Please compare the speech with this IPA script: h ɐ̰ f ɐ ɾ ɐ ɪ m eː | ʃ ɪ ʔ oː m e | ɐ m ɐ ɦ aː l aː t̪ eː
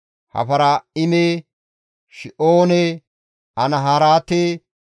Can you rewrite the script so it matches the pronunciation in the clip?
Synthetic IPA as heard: h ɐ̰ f ɐ ɾ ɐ ɪ m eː | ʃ ɪ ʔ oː n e | ɐ n ɐ ɦ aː ɾ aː t̪ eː